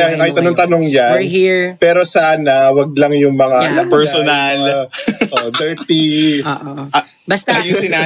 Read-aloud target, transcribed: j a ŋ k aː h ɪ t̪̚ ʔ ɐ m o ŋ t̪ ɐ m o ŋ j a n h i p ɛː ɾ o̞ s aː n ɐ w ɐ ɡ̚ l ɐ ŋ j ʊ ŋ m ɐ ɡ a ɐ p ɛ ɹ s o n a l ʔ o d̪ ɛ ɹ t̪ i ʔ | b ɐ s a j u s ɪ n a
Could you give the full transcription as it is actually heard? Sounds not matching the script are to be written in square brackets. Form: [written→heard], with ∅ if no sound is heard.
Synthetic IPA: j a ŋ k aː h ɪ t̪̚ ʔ ɐ [m→n] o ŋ t̪ ɐ [m→n] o ŋ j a n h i p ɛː ɾ o̞ s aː n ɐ w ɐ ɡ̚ l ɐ ŋ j ʊ ŋ m ɐ [ɡ→ŋ] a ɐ p ɛ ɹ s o n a l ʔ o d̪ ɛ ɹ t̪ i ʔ | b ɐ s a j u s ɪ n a